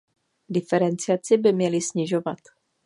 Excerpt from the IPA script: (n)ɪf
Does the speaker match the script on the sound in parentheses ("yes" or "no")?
no